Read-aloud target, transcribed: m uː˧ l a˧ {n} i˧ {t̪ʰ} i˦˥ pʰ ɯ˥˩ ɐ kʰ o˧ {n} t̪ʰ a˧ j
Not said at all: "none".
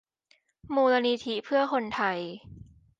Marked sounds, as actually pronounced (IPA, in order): n, t̪ʰ, n

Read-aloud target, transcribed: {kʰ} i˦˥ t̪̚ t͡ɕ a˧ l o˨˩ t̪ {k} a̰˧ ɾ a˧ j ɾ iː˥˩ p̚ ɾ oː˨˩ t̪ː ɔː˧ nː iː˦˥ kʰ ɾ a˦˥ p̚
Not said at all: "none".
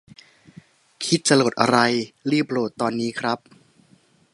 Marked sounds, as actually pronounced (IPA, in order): kʰ, ʔ

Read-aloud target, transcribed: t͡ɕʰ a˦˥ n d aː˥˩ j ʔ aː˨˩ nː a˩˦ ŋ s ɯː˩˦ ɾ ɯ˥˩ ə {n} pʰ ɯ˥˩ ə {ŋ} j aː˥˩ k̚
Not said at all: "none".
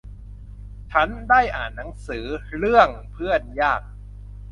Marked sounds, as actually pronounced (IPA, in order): ŋ, n

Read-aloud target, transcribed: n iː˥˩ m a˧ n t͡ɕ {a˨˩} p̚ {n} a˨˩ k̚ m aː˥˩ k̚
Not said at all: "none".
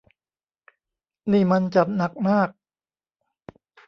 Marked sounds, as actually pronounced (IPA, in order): a˨˩, n

